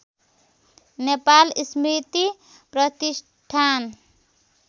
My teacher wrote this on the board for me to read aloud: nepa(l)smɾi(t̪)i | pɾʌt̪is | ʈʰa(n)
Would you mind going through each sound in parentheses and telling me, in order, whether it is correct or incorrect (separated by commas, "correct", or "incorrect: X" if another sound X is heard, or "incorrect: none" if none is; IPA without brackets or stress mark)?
correct, correct, correct